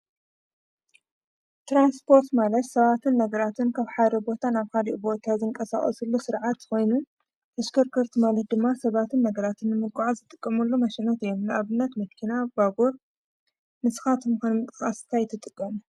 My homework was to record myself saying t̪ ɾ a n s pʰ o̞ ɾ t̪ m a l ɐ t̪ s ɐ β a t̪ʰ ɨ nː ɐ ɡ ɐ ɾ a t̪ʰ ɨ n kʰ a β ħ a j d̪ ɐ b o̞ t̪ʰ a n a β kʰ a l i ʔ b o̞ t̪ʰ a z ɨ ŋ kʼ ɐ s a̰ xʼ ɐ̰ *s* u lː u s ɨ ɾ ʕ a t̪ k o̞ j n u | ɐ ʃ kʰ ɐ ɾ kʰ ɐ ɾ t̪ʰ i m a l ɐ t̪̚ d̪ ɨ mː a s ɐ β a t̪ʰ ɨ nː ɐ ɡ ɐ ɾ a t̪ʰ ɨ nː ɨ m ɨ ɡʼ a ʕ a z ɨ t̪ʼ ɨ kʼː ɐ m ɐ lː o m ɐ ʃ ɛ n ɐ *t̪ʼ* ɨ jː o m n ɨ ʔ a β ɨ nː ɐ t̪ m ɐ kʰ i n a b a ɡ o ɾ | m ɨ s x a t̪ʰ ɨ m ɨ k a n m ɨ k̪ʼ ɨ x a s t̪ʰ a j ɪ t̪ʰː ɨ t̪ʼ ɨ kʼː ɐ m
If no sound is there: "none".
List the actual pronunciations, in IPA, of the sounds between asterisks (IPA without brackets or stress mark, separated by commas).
s, t̪